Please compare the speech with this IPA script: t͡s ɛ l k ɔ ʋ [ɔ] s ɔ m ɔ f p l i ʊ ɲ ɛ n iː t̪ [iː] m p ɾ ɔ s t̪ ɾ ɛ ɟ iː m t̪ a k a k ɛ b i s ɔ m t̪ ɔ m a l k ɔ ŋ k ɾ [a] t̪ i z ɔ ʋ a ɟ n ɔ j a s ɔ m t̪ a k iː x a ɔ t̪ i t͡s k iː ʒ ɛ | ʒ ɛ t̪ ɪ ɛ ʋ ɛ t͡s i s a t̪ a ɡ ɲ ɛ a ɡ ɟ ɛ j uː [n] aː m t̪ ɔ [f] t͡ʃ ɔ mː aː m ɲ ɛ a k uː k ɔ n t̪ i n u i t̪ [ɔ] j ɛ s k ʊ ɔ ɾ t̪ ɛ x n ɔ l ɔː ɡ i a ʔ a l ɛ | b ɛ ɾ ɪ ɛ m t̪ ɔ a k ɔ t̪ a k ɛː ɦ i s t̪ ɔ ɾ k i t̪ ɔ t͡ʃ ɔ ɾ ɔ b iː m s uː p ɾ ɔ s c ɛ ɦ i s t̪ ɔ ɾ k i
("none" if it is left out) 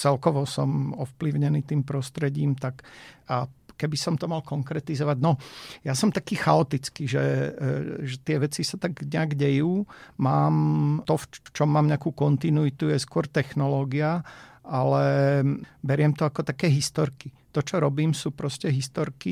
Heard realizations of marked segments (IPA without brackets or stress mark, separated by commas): ɔ, iː, ɛ, m, f, u